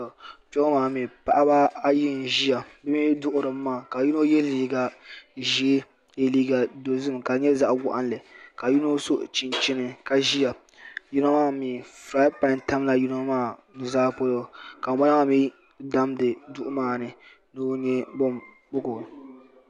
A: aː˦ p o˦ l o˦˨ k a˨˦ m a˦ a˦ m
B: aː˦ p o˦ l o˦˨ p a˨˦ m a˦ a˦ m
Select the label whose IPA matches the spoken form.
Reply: A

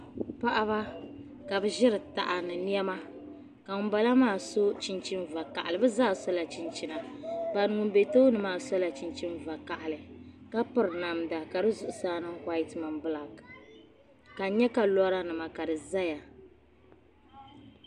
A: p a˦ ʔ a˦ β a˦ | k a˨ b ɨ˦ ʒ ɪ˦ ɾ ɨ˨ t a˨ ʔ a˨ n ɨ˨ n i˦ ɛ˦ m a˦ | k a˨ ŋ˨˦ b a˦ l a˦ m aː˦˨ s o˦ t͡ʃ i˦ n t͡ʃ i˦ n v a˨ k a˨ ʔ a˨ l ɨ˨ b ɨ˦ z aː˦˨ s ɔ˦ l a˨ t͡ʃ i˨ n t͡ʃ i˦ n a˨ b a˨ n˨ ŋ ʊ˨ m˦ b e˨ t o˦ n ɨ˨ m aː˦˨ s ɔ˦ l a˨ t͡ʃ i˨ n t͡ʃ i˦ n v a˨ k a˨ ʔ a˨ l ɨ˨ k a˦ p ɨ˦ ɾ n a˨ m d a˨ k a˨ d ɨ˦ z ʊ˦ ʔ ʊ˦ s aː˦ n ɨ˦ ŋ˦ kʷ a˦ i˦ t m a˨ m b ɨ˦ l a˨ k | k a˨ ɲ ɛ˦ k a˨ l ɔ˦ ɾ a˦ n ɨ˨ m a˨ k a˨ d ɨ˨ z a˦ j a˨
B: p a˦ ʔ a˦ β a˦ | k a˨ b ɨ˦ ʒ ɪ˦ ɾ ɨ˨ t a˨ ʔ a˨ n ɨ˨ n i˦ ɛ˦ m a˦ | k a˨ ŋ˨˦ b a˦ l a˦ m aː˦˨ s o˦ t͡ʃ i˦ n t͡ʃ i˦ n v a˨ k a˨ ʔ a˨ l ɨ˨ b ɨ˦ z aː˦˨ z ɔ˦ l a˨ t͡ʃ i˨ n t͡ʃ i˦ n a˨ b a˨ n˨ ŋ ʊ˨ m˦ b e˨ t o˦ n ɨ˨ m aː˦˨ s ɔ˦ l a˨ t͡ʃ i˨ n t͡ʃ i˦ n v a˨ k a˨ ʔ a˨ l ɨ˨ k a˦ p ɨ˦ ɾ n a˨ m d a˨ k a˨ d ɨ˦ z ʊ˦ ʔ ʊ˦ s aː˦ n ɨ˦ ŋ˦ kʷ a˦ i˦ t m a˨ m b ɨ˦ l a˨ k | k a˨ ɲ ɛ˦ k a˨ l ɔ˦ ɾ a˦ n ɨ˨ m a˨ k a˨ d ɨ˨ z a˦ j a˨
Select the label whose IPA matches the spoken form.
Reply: A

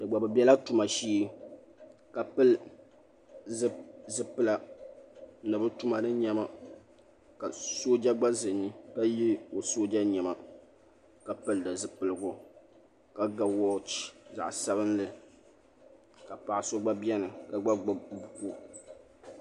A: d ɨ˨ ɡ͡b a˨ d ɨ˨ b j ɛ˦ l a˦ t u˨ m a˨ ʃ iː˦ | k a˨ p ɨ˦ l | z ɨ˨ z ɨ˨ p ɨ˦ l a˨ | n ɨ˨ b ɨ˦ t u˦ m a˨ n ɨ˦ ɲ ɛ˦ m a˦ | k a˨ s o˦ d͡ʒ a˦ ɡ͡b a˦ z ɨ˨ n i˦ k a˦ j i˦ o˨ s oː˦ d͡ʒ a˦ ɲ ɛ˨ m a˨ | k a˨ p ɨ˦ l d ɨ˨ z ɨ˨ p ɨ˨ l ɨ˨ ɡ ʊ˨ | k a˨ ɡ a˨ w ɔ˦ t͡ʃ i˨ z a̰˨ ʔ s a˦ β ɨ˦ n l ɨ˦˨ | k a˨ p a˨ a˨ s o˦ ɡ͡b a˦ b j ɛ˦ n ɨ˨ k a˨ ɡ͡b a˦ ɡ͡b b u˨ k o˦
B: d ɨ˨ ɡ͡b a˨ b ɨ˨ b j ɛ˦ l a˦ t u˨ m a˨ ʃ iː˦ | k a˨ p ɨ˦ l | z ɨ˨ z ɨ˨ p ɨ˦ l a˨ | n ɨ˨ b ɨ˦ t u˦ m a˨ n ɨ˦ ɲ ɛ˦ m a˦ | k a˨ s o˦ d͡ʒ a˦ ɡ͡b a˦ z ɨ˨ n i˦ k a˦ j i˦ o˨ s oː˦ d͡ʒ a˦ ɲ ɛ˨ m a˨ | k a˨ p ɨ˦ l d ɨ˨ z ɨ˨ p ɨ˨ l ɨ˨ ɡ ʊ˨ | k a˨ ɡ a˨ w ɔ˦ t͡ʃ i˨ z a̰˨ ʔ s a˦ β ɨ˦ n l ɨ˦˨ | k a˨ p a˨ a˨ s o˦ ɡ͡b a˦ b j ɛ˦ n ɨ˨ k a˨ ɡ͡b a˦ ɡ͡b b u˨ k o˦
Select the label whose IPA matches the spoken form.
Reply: B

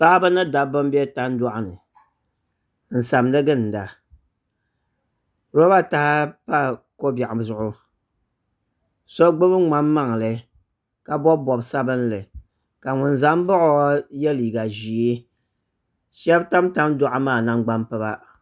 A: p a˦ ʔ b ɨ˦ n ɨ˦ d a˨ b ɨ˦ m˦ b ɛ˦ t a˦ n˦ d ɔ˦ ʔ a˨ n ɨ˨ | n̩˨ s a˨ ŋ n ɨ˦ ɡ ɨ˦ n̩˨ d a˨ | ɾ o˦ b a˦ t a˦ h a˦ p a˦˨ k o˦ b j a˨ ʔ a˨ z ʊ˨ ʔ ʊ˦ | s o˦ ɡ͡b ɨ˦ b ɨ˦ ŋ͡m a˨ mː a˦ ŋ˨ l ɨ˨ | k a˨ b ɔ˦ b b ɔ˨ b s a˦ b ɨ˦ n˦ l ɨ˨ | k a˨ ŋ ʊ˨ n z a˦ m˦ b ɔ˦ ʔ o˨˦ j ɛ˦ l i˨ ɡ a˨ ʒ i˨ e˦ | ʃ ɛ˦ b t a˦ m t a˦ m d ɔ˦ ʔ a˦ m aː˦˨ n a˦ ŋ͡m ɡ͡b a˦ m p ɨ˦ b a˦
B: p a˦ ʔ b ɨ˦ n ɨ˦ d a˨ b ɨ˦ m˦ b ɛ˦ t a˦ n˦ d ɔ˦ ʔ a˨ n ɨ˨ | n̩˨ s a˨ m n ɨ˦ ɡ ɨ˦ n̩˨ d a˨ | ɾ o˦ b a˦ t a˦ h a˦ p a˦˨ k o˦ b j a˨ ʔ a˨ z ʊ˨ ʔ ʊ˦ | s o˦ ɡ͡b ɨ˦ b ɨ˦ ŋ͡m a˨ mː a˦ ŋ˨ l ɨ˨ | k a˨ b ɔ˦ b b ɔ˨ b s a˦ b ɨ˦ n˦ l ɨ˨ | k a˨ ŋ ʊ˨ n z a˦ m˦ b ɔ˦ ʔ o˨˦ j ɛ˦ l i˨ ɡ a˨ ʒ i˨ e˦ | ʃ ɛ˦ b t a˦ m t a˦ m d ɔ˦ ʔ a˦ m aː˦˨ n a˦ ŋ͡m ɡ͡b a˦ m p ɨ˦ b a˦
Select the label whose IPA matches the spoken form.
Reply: B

